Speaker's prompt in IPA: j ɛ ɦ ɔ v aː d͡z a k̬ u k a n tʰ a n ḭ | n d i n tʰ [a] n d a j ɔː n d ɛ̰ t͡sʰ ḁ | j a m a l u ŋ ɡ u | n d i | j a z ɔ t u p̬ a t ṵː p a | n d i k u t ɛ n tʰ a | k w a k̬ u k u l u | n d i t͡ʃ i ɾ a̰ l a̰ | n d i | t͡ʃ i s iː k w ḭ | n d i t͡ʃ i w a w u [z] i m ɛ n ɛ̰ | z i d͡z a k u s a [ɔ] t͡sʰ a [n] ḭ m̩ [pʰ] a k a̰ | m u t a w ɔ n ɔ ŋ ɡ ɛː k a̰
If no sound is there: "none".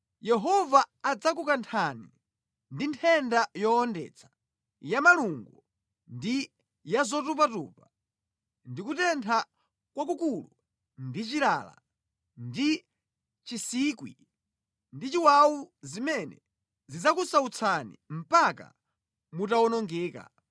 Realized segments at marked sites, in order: ɛ, z, u, n, p

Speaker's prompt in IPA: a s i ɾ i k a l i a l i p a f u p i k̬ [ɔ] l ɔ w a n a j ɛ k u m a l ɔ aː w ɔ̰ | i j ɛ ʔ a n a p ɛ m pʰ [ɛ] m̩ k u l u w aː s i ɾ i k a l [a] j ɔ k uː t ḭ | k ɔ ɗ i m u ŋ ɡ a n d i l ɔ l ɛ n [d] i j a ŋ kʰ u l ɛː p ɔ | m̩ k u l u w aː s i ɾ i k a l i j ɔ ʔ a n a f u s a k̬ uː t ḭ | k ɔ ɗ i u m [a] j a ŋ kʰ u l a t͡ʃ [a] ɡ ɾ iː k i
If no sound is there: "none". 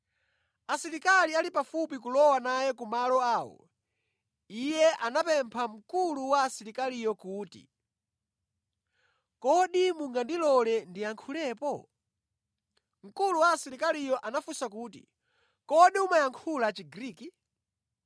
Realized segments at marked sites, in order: u, a, i, d, a, i

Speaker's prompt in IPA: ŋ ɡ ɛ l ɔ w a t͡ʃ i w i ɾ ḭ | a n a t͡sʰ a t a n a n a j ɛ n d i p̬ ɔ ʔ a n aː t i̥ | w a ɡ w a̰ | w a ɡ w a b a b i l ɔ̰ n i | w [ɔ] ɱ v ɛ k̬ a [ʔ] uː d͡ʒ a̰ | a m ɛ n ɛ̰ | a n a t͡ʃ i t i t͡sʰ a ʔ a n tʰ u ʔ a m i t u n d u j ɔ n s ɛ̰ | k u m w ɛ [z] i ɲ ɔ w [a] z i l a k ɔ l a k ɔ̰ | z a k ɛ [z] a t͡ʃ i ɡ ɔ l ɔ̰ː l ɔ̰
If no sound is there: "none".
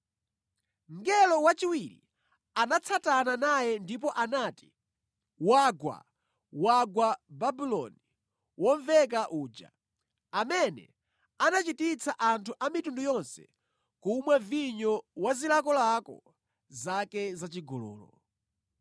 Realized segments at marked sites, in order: ɔ, ʔ, v, a, z

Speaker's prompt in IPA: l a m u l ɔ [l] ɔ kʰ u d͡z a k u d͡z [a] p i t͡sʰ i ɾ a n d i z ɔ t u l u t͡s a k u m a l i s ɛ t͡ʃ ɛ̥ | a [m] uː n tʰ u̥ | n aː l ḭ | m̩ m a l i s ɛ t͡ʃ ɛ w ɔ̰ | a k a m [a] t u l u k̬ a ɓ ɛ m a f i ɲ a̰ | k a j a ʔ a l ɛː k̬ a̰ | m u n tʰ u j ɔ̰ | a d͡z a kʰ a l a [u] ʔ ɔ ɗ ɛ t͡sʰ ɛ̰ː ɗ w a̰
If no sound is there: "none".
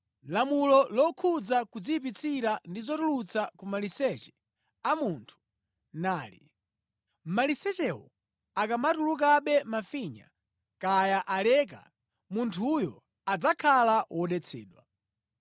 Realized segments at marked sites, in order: l, i, m, a, w

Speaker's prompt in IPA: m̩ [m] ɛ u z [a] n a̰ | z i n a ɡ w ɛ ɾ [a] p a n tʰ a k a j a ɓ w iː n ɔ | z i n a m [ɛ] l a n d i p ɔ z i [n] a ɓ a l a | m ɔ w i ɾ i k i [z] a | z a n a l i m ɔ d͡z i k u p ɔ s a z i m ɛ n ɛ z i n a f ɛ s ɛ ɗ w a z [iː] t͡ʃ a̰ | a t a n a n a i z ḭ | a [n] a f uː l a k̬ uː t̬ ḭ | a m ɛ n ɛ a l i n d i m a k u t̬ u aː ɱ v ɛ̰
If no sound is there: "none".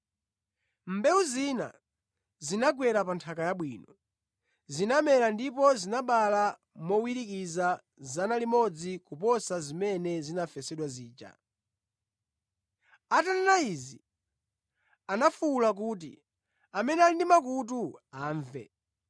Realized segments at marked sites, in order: b, i, a, ɛ, n, z, iː, n

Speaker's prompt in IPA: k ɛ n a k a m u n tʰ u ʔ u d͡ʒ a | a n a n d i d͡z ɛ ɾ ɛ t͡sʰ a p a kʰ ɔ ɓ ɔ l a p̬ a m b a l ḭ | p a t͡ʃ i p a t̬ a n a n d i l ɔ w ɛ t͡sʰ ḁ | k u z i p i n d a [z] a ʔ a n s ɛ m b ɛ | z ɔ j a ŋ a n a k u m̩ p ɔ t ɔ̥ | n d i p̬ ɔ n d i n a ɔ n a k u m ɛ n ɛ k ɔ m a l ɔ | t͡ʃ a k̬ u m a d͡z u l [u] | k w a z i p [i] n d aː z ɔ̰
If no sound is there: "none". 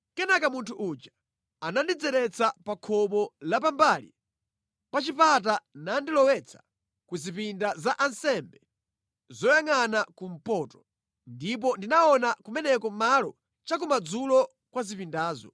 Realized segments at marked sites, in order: z, ɔ, i

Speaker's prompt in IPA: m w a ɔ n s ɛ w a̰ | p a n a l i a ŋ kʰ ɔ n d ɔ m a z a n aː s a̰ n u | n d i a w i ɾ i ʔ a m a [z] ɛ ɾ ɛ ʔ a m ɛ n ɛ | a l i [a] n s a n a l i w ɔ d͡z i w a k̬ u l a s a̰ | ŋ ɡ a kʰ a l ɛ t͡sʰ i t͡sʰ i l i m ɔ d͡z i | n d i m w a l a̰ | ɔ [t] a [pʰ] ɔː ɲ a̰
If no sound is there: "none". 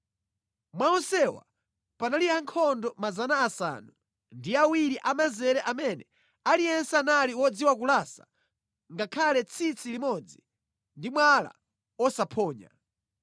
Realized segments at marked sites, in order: z, ɛ, s, pʰ

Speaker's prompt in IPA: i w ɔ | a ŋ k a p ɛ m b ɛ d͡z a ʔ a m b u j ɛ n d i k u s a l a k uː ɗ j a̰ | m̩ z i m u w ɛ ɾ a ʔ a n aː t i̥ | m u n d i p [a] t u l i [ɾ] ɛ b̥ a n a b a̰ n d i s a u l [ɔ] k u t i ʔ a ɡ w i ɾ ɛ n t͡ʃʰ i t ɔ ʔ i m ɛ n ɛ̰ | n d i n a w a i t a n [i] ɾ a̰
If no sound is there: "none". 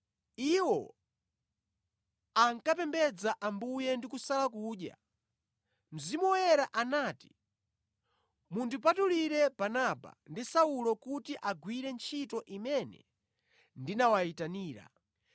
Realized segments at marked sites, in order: a, ɾ, ɔ, iː

